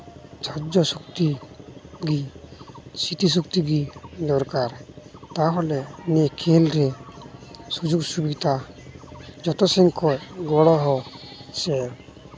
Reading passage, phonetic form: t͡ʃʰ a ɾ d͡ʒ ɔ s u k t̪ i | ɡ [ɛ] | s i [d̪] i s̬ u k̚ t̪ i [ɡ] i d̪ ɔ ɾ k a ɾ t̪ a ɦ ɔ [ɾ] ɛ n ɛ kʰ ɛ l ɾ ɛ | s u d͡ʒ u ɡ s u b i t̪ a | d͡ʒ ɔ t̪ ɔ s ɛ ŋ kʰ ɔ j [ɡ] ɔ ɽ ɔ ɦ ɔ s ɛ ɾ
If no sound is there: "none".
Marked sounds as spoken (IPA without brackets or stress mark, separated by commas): i, t̪, ɡ, l, ɡ